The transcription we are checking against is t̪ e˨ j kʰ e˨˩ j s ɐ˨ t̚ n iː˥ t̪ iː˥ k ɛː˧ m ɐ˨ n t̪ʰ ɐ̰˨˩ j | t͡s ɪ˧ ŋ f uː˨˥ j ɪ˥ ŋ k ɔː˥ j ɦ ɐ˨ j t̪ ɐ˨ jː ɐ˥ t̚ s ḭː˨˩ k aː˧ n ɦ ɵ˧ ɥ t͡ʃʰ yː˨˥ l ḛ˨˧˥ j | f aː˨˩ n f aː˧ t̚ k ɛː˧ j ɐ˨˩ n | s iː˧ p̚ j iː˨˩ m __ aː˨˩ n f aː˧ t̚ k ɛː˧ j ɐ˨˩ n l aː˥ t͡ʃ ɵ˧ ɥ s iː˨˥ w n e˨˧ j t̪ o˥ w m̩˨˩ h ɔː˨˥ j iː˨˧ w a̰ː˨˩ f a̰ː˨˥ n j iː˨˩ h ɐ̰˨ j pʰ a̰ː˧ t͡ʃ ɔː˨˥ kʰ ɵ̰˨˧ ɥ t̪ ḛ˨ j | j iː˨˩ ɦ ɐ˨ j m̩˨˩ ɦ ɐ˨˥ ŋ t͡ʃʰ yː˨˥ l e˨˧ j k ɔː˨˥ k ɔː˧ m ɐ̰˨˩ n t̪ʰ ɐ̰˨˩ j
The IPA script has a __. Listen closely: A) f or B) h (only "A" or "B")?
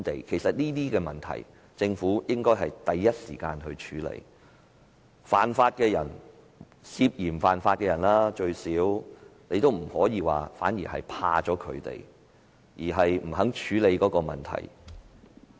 A